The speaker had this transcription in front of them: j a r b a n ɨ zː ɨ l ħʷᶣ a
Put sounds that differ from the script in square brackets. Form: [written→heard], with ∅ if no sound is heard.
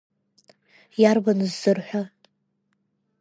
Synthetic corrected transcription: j a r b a n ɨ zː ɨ [l→r] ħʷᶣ a